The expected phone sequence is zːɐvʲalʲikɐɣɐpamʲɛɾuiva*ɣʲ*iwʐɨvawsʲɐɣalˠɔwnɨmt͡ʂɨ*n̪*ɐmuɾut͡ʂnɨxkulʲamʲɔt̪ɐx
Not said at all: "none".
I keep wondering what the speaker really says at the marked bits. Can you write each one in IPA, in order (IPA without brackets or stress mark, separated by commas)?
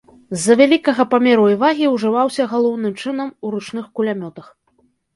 ɣʲ, n̪